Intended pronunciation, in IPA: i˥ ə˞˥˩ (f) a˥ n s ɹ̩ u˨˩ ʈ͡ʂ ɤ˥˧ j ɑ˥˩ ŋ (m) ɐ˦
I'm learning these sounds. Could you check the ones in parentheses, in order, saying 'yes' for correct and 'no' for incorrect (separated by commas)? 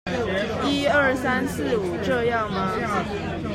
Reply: no, yes